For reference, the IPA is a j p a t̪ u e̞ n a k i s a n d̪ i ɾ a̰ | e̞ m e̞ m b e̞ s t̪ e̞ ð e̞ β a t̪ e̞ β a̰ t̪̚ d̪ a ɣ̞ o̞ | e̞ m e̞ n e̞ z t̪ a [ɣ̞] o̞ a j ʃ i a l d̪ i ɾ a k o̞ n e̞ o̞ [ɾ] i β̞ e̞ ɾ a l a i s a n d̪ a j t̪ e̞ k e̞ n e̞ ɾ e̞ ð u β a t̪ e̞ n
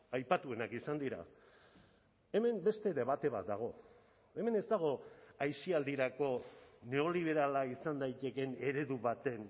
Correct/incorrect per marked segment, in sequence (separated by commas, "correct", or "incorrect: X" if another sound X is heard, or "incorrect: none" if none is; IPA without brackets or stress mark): correct, incorrect: l